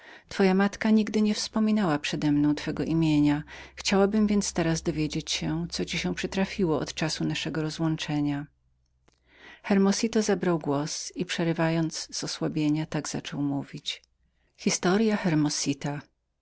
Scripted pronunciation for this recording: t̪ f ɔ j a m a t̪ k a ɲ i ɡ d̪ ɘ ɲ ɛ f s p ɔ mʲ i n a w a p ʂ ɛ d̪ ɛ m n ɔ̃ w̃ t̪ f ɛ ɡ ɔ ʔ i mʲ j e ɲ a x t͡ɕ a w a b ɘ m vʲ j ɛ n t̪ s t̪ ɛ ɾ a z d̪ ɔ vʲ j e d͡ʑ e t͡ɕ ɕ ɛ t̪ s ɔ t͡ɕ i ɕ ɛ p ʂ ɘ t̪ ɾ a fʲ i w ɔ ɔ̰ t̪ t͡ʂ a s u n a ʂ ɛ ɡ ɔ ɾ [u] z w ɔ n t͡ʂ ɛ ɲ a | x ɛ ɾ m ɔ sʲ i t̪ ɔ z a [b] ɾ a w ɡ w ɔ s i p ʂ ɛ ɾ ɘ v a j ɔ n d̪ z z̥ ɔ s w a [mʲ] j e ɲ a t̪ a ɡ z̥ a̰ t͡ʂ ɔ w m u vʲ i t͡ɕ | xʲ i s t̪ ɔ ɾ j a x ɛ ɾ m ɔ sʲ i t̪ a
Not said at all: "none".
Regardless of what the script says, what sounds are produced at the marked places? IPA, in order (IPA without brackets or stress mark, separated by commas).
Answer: ɔ, b, bʲ